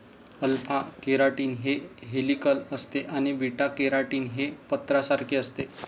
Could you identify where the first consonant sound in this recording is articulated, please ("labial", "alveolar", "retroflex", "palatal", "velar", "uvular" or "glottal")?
alveolar